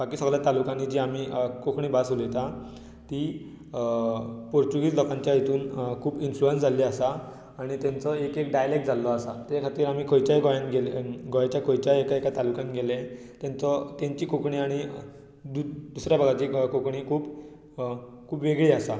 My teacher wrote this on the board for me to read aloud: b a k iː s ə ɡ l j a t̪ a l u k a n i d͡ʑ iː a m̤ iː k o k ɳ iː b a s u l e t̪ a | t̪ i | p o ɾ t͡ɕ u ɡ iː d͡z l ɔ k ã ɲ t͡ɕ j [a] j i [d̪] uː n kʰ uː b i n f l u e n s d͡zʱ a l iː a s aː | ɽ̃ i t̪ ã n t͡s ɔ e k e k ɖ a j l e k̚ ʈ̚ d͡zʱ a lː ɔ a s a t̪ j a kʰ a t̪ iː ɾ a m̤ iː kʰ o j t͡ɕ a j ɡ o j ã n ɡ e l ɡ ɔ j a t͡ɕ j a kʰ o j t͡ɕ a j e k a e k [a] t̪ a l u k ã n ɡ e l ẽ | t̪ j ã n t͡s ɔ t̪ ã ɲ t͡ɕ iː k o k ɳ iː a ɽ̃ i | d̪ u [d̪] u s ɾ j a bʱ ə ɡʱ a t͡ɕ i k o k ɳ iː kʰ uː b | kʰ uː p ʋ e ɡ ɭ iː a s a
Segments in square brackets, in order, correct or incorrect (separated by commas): correct, incorrect, correct, correct